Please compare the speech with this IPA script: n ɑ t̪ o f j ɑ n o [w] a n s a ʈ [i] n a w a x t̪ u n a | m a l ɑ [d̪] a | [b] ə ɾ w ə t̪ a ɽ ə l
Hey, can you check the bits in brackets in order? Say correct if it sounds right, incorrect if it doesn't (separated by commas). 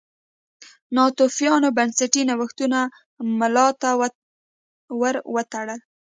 incorrect, correct, incorrect, incorrect